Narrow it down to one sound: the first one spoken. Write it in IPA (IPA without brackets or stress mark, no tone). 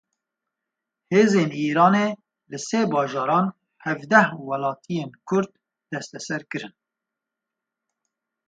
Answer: h